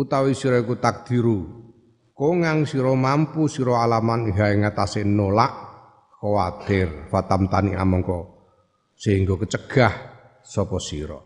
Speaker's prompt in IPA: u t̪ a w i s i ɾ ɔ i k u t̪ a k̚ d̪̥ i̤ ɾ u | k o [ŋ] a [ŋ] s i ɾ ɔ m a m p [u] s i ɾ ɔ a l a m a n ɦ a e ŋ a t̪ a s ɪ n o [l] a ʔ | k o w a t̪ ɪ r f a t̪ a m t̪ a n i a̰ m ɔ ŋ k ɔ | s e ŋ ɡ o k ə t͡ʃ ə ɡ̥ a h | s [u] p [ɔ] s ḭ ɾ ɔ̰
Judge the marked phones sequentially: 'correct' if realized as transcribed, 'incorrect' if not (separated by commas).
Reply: correct, correct, correct, correct, incorrect, correct